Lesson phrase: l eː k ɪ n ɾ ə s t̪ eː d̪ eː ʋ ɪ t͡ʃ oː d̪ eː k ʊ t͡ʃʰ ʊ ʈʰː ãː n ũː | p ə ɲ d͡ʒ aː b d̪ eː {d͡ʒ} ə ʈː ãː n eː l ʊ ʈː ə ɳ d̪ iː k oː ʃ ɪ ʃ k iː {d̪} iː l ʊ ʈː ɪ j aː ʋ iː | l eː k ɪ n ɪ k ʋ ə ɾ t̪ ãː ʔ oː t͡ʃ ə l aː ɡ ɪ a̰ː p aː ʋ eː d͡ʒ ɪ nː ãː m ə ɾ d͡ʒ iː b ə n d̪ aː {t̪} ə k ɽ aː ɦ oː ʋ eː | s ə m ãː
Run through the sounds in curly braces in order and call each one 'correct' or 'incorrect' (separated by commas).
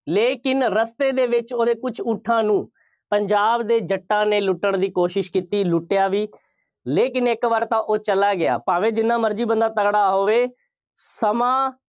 correct, incorrect, correct